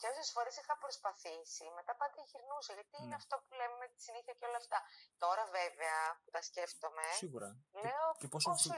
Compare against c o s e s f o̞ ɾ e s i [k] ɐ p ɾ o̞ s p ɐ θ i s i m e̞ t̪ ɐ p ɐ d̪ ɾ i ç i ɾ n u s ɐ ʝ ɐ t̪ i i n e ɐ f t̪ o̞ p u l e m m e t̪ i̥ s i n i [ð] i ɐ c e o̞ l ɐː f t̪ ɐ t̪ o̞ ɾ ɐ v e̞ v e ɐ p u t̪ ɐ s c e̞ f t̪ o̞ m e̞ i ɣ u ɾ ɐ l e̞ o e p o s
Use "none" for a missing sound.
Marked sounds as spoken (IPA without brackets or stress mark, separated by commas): x, θ